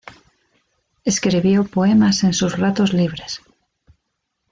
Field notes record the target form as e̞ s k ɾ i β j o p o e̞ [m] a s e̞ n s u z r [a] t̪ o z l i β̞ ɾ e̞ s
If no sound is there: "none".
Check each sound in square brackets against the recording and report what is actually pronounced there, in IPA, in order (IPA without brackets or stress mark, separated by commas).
m, a